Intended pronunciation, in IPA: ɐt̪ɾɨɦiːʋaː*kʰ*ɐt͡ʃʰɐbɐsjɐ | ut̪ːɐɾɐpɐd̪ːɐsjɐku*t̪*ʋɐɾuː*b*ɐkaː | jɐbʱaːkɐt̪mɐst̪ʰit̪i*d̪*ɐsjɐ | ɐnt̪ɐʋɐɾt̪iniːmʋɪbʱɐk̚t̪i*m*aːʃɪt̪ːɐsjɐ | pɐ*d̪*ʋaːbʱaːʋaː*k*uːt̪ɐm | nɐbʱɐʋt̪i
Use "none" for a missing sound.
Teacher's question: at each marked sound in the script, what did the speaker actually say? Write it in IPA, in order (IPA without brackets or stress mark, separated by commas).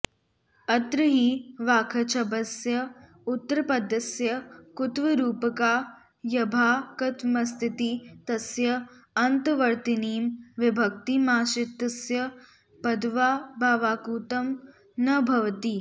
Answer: kʰ, t̪, p, t̪, m, d̪, k